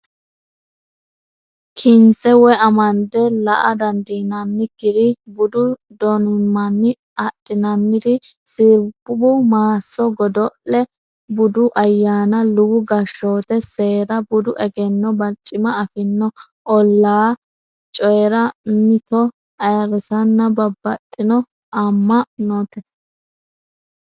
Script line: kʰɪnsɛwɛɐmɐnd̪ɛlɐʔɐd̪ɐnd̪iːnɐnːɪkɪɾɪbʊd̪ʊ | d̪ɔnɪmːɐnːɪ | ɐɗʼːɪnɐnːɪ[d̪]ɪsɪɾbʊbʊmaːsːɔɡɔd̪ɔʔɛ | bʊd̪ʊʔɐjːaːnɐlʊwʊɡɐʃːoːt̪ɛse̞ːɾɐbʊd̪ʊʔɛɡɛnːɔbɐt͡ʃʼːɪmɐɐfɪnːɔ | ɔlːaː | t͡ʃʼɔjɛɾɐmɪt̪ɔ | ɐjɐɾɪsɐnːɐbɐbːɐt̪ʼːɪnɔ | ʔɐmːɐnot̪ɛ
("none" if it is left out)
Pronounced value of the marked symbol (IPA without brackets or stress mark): d̪